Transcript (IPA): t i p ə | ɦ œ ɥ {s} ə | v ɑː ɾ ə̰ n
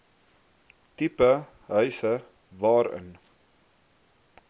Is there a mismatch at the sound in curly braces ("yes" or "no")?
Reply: no